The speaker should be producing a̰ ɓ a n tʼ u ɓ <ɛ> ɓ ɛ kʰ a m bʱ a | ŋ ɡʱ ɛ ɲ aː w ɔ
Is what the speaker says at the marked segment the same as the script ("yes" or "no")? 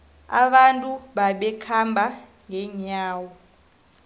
no